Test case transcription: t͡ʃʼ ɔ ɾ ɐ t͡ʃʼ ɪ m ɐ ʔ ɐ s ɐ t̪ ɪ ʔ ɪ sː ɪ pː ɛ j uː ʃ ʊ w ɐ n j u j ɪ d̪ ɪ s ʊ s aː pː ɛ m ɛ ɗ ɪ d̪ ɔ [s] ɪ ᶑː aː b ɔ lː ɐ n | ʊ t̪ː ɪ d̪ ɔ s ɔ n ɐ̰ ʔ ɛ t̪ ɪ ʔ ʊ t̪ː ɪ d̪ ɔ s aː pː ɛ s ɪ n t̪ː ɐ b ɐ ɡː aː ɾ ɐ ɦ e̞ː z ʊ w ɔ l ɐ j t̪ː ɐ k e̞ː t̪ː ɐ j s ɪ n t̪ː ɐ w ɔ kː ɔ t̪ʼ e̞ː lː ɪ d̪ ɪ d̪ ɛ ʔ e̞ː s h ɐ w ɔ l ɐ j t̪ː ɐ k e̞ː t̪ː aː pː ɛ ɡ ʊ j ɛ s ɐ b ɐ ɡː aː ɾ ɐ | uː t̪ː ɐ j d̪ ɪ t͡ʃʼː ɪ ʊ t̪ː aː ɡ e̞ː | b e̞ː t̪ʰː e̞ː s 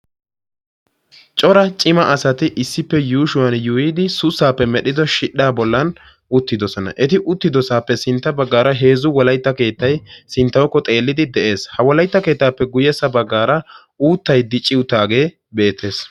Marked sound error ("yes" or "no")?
yes